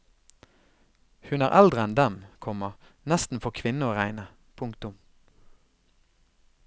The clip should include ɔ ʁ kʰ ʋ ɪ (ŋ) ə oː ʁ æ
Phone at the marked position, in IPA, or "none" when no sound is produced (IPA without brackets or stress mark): n